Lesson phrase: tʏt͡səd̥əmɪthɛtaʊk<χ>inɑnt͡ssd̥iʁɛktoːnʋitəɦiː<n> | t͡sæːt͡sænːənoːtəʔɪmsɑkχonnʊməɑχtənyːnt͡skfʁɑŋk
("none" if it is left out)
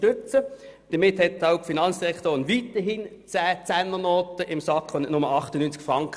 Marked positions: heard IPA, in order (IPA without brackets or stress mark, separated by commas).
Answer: f, n